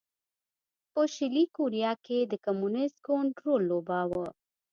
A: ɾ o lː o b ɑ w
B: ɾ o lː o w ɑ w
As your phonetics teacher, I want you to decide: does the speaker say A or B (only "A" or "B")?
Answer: A